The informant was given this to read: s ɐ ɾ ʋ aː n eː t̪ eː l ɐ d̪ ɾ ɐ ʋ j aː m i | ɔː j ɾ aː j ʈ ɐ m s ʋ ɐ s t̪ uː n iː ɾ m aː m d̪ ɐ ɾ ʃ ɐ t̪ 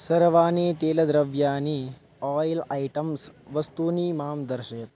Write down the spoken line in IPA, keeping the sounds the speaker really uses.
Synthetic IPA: s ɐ ɾ ʋ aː n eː t̪ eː l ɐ d̪ ɾ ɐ ʋ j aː n i | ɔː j l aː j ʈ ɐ m s ʋ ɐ s t̪ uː n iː m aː m d̪ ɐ ɾ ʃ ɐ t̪